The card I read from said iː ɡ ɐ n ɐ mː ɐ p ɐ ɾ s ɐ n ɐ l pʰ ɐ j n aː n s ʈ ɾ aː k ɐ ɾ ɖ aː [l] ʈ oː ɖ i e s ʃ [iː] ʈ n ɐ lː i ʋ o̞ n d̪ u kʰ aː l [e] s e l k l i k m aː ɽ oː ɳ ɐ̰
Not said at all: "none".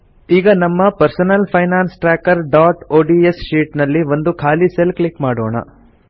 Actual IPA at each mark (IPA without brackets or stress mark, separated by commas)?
none, iː, i